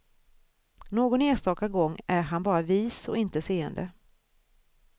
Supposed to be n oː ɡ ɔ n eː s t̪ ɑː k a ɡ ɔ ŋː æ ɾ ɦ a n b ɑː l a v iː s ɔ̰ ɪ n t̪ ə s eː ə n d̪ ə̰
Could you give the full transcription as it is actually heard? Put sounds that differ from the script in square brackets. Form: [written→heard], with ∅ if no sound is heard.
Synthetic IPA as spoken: n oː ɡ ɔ n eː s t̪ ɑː k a ɡ ɔ ŋː æ ɾ ɦ a n b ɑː [l→ɾ] a v iː s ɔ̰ ɪ n t̪ ə s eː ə n d̪ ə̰